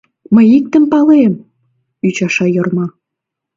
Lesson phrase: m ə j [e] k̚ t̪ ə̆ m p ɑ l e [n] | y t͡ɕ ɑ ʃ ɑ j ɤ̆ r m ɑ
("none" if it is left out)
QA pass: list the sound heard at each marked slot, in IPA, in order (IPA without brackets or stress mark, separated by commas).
i, m